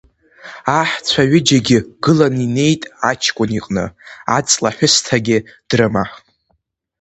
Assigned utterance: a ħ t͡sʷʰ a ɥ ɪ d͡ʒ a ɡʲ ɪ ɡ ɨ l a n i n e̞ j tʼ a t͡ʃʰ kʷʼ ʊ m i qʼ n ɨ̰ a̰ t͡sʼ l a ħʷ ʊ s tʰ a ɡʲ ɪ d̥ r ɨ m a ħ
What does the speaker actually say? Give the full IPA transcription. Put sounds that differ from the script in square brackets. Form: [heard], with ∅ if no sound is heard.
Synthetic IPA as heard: a ħ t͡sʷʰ a ɥ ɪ d͡ʒ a ɡʲ ɪ ɡ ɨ l a n i n e̞ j tʼ a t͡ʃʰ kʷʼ ʊ [n] i qʼ n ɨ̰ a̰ t͡sʼ l a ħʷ ʊ s tʰ a ɡʲ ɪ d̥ r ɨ m a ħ

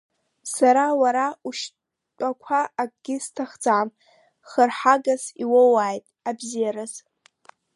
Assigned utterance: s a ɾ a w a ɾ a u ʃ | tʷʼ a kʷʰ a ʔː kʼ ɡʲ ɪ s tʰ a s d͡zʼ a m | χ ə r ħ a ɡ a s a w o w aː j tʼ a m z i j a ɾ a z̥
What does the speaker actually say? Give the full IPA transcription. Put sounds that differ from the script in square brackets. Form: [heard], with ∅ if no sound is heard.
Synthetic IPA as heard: s a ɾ a w a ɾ a u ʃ | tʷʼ a kʷʰ a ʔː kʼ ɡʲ ɪ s tʰ a [χ] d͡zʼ a m | χ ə r ħ a ɡ a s [i] w o w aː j tʼ a [b] z i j a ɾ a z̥

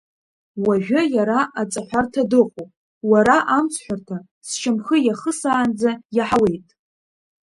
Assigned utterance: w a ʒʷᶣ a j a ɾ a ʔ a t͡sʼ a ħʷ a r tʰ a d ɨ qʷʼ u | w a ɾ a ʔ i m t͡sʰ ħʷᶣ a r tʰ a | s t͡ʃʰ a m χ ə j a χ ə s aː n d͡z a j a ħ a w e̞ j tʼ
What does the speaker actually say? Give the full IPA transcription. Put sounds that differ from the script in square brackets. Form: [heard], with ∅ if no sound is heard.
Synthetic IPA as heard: w a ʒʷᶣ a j a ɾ a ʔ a t͡sʼ a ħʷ a r tʰ a d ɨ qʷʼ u | w a ɾ a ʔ [a] m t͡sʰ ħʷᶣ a r tʰ a | s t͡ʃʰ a m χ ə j a χ ə s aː n d͡z a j a ħ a w e̞ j tʼ

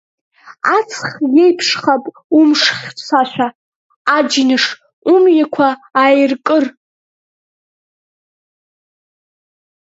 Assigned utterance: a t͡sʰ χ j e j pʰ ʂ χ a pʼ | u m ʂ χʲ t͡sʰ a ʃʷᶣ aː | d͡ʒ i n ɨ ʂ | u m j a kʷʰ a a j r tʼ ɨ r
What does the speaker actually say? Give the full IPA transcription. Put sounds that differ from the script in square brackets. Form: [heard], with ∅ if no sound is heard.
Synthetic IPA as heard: a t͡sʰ χ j e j pʰ ʂ χ a pʼ | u m ʂ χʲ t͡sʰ a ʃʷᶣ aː | d͡ʒ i n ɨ ʂ | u m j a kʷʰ a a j r [kʼ] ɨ r

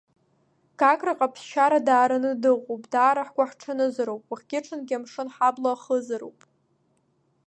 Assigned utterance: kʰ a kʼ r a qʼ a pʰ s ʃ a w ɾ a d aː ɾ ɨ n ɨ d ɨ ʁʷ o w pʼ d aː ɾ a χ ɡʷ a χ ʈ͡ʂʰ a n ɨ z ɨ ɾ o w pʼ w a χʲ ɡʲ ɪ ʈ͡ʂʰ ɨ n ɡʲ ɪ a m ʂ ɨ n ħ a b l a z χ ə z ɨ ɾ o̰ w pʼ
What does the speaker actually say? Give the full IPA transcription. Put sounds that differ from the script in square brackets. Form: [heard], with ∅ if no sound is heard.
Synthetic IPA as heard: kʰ a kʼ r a qʼ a pʰ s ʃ a [∅] ɾ a d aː ɾ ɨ n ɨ d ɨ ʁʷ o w pʼ d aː ɾ a [ħ] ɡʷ a [ħ] ʈ͡ʂʰ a n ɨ z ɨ ɾ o w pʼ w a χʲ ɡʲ ɪ ʈ͡ʂʰ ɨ n ɡʲ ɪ a m ʂ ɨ n ħ a b l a [∅] χ ə z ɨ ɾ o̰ w pʼ

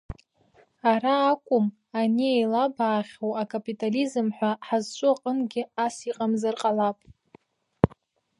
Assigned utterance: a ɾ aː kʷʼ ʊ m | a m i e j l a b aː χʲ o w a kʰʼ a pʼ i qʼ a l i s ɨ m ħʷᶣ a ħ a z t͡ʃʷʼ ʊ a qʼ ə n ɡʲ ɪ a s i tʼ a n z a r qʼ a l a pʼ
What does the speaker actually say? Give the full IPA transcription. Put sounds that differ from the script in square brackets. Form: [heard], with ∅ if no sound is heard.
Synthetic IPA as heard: a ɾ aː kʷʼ ʊ m | a [n] i e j l a b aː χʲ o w a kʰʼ a pʼ i [tʼ] a l i [z] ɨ m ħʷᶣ a ħ a z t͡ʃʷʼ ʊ a qʼ ə n ɡʲ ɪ a s i [qʼ] a [m] z a r qʼ a l a pʼ

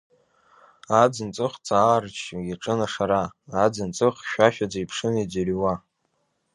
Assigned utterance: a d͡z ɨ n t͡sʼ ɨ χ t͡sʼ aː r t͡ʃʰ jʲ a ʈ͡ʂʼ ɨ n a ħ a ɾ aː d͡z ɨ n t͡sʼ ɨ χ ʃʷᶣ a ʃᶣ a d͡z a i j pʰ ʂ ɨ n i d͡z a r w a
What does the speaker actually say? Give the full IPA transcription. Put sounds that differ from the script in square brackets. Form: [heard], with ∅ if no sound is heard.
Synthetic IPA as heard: a d͡z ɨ n t͡sʼ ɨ χ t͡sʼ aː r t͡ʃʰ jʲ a ʈ͡ʂʼ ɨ n a [ʂ] a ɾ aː d͡z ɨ n t͡sʼ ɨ χ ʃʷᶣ a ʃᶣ a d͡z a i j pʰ ʂ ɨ n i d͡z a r w a

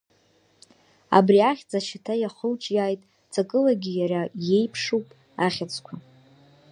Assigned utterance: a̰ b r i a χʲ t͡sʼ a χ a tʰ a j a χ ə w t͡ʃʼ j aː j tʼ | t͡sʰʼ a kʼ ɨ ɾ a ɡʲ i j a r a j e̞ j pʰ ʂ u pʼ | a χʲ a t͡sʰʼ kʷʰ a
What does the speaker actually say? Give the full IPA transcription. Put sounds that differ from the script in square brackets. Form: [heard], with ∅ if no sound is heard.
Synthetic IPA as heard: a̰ b r i a χʲ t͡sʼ a [ʃ] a tʰ a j a χ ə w t͡ʃʼ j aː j tʼ | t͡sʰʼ a kʼ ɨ [l] a ɡʲ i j a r a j e̞ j pʰ ʂ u pʼ | a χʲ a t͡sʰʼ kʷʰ a

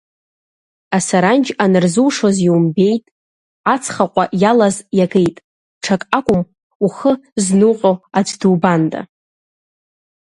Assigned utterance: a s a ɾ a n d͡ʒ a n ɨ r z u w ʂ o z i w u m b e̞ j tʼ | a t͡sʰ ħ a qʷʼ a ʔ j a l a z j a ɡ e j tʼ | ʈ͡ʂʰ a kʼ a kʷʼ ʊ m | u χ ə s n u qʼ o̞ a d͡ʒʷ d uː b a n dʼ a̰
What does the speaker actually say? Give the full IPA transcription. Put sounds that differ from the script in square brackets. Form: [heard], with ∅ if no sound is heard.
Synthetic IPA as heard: a s a ɾ a n d͡ʒ a n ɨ r z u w ʂ o z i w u m b e̞ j tʼ | a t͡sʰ [χ] a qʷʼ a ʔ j a l a z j a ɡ e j tʼ | ʈ͡ʂʰ a kʼ a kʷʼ ʊ m | u χ ə [z] n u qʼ o̞ a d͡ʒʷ d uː b a n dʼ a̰

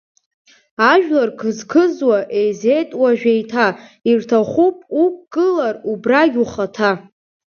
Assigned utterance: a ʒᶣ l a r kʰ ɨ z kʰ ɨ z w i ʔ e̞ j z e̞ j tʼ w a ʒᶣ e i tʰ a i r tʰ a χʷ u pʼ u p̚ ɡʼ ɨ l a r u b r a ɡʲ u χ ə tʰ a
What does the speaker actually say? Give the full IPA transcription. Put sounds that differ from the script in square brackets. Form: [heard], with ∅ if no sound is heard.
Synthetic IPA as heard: a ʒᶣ l a r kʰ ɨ z kʰ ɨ z w [a] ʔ e̞ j z e̞ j tʼ w a ʒᶣ e [j] tʰ a i r tʰ a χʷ u pʼ u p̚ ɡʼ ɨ l a r u b r a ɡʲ u χ [a] tʰ a

